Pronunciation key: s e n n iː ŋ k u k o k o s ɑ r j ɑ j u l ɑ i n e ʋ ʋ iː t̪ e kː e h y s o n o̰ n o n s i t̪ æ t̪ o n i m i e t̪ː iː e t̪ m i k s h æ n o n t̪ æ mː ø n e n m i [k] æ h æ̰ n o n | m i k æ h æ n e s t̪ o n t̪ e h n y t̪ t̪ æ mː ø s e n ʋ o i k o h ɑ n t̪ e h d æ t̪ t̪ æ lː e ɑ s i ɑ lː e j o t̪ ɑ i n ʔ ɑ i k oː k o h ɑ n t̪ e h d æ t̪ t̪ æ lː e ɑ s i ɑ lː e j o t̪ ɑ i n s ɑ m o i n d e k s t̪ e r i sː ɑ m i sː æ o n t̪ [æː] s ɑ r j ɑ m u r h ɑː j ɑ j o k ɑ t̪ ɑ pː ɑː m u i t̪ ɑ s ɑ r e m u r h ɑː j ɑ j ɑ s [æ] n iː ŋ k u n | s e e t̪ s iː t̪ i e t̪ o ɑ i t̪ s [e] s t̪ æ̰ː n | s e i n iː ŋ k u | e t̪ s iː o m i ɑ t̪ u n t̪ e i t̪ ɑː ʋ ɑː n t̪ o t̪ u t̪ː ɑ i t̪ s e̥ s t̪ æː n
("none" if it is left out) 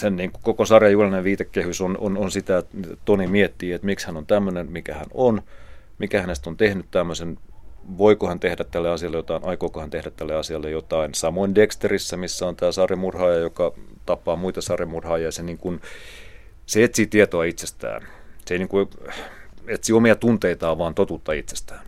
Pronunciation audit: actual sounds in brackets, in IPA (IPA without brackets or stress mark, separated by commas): k, æː, e, e